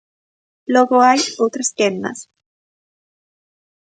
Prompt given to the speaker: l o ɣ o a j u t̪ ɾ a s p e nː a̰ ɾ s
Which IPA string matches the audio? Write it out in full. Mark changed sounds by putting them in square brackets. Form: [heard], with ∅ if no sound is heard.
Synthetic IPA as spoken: l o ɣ o a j [o] t̪ ɾ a s [k] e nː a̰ [∅] s